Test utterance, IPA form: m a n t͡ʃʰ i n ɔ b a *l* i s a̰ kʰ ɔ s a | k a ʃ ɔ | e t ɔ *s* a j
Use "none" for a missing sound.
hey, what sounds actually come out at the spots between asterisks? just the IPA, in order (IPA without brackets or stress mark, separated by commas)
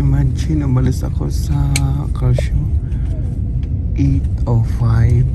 l, f